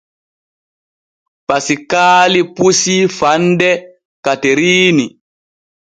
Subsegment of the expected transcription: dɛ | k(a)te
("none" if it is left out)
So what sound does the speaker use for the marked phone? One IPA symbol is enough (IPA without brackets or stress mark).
a